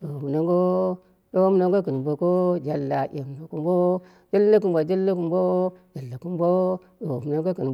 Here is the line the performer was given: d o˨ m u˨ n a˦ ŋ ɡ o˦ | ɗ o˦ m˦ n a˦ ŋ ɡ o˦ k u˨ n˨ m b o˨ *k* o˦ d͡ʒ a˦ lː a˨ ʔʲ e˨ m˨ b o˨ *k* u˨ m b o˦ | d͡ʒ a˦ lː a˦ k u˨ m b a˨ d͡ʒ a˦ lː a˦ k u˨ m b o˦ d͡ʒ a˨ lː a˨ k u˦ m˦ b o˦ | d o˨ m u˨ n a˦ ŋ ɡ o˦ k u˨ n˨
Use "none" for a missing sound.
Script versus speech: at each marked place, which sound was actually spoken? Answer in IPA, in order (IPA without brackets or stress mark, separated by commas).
k, k